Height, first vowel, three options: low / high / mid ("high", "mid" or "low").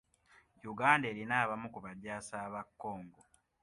high